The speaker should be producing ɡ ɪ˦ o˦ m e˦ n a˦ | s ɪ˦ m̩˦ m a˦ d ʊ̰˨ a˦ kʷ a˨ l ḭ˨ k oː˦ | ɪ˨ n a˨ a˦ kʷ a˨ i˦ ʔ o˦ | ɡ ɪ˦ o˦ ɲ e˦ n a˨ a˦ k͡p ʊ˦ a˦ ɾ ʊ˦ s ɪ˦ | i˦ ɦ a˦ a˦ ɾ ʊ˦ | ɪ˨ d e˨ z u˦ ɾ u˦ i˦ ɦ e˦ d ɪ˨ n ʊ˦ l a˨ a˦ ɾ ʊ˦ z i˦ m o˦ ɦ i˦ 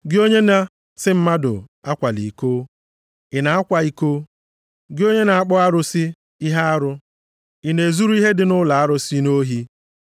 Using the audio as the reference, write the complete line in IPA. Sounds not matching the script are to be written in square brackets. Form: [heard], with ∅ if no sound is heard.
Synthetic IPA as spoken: ɡ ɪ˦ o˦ [ɲ] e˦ n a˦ | s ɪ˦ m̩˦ m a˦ d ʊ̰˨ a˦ kʷ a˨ l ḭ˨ k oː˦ | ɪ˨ n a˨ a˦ kʷ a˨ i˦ [k] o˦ | ɡ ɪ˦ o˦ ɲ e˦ n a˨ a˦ k͡p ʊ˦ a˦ ɾ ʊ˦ s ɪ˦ | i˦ ɦ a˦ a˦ ɾ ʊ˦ | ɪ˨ [n] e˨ z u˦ ɾ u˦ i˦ ɦ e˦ d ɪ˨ n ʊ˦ l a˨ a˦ ɾ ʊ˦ [s] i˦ [n] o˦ ɦ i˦